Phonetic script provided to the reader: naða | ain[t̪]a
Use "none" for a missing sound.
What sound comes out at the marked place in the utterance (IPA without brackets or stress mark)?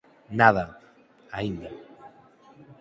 d̪